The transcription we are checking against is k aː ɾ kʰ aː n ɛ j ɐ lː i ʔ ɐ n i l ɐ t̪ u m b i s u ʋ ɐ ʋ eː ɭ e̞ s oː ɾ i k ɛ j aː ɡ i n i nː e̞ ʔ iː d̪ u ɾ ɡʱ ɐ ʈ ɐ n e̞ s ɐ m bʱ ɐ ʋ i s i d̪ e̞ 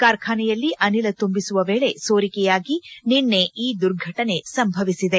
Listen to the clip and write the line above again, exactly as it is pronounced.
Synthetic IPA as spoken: k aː ɾ kʰ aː n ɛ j ɐ lː i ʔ ɐ n i l ɐ t̪ u m b i s u ʋ ɐ ʋ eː ɭ e̞ s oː ɾ i k ɛ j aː ɡ i n i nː e̞ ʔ iː d̪ u ɾ ɡʱ ɐ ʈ ɐ n e̞ s ɐ m bʱ ɐ ʋ i s i d̪ e̞

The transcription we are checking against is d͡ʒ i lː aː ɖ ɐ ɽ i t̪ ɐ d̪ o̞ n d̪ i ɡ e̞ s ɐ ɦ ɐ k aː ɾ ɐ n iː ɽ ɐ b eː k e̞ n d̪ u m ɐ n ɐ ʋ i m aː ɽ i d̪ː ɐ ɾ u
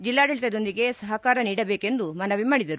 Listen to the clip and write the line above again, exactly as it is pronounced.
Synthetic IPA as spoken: d͡ʒ i lː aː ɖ ɐ ɭ i t̪ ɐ d̪ o̞ n d̪ i ɡ e̞ s ɐ ɦ ɐ k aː ɾ ɐ n iː ɽ ɐ b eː k e̞ n d̪ u m ɐ n ɐ ʋ i m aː ɽ i d̪ ɐ ɾ u

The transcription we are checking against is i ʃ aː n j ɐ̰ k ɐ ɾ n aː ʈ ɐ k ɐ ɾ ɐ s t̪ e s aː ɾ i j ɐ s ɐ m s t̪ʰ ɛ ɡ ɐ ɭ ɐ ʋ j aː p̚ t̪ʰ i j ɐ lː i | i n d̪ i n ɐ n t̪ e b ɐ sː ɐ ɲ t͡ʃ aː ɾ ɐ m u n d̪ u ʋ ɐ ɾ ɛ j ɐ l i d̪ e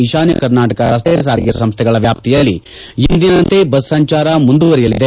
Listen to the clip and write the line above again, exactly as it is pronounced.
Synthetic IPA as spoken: i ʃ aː n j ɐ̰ k ɐ ɾ n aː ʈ ɐ k ɐ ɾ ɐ s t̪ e s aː ɾ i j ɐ s ɐ m s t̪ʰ ɛ ɡ ɐ ɭ ɐ ʋ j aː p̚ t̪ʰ i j ɐ lː i | i n d̪ i n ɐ n t̪ e b ɐ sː ɐ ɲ t͡ʃ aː ɾ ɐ m u n d̪ u ʋ ɐ ɾ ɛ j ɐ l i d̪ e

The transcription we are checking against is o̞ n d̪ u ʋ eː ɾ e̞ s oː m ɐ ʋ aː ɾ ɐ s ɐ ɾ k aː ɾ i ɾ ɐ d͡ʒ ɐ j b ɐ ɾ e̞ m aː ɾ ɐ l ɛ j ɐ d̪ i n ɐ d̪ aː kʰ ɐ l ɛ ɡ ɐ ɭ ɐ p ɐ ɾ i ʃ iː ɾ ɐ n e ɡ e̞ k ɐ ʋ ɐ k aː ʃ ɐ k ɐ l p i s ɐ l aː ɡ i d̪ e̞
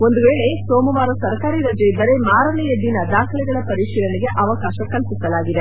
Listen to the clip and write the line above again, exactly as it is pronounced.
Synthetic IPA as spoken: o̞ n d̪ u ʋ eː ɭ e̞ s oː m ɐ ʋ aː ɾ ɐ s ɐ ɾ k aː ɾ i ɾ ɐ d͡ʒ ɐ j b ɐ ɾ e̞ m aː ɾ ɐ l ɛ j ɐ d̪ i n ɐ d̪ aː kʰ ɐ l ɛ ɡ ɐ ɭ ɐ p ɐ ɾ i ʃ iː ɾ ɐ n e ɡ e̞ ʔ ɐ ʋ ɐ k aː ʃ ɐ k ɐ l p i s ɐ l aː ɡ i d̪ e̞

